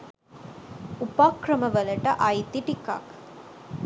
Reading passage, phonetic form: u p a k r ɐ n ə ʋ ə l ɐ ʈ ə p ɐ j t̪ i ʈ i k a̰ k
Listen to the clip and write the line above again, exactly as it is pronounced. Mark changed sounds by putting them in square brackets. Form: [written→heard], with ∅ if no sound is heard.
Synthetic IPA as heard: u p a k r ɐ [n→m] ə ʋ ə l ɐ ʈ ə [p→ʔ] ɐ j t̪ i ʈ i k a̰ k